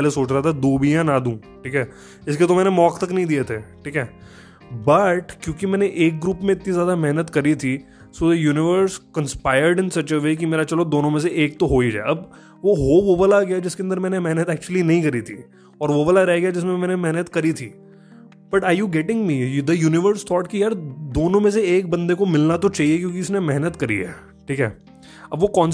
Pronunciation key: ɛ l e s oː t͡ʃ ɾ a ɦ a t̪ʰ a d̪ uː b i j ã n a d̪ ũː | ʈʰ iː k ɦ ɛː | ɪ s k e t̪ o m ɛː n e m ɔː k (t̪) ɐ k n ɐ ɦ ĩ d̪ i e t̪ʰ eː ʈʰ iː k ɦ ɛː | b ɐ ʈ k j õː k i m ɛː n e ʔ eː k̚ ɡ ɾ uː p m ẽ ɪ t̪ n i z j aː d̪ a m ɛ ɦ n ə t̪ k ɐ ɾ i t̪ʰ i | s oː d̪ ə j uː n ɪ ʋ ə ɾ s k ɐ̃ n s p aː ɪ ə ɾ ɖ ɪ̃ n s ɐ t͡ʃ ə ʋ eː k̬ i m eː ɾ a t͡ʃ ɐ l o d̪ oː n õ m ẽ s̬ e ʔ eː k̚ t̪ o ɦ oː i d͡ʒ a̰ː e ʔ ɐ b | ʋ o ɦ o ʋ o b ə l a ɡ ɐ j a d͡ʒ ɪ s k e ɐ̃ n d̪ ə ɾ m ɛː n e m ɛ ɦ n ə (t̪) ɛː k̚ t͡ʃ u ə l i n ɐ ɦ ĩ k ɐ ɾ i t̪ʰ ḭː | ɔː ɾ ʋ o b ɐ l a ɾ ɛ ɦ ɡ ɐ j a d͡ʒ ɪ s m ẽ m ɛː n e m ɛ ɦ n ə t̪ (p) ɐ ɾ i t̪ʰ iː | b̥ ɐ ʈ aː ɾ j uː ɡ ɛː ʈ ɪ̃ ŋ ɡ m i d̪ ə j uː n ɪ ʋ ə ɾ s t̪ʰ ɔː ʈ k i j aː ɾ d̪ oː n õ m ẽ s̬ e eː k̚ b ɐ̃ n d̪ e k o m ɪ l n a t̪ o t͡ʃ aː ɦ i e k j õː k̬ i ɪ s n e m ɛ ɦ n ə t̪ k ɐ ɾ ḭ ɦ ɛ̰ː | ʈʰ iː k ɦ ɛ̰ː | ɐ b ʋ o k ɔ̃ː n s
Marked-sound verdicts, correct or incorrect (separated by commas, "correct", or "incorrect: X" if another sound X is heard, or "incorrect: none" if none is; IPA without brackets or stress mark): correct, correct, incorrect: k